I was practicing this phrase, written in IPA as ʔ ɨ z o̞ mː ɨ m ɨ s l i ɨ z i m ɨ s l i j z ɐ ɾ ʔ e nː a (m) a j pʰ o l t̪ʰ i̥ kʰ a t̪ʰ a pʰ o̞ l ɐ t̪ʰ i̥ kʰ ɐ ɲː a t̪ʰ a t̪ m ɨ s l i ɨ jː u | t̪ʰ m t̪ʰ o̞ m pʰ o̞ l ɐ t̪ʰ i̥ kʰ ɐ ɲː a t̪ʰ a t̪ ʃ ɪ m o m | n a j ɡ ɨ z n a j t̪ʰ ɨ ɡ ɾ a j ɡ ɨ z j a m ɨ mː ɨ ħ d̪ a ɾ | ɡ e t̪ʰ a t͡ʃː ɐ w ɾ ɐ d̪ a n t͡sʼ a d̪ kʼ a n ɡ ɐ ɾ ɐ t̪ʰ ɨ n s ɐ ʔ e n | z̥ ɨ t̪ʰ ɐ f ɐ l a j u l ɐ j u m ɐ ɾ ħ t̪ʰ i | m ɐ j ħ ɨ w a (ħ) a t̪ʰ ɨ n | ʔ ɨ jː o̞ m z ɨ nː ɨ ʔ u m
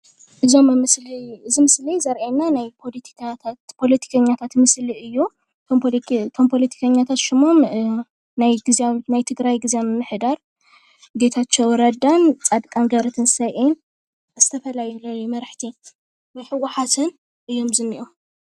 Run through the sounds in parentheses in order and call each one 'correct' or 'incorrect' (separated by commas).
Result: incorrect, correct